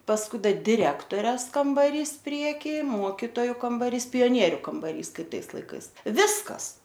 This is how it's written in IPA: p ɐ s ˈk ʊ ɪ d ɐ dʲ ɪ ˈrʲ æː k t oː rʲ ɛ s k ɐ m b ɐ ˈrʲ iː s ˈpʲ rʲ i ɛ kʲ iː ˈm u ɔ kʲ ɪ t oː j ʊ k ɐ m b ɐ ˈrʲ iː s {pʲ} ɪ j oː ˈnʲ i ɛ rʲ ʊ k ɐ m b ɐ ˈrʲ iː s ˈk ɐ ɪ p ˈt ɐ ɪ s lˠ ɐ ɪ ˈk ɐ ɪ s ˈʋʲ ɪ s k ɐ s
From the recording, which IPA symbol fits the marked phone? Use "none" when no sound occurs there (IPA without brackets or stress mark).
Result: pʲ